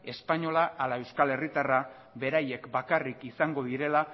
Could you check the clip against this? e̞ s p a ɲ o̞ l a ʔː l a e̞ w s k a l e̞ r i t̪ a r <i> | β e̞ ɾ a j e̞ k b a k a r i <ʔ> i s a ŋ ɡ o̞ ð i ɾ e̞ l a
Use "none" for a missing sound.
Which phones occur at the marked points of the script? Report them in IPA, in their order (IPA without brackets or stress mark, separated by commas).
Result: a, k